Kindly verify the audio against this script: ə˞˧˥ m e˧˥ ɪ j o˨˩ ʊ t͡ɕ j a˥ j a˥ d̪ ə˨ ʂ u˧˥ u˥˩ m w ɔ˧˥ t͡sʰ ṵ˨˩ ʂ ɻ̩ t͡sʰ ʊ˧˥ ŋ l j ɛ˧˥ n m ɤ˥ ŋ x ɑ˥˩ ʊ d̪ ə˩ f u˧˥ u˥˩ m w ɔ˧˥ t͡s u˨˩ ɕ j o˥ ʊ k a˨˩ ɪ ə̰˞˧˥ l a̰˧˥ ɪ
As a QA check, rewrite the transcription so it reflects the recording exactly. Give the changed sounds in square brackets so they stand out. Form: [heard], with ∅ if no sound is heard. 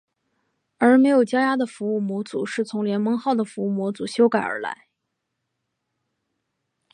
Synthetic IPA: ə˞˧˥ m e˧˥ ɪ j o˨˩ ʊ t͡ɕ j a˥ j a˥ d̪ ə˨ [f] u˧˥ u˥˩ m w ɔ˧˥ [t͡s] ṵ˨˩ ʂ ɻ̩ t͡sʰ ʊ˧˥ ŋ l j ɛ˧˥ n m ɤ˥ ŋ x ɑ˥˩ ʊ d̪ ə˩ f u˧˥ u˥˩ m w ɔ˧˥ t͡s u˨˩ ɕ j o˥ ʊ k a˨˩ ɪ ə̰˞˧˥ l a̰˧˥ ɪ